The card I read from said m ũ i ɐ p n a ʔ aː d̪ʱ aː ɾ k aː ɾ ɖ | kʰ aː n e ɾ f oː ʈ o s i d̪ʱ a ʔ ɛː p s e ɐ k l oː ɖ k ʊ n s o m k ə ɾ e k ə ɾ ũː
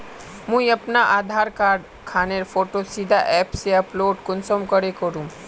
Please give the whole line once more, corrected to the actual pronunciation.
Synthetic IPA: m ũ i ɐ p n a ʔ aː d̪ʱ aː ɾ k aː ɾ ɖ | kʰ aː n e ɾ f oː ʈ o s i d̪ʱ a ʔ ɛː p s e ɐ p l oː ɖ k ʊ n s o m k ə ɾ e k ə ɾ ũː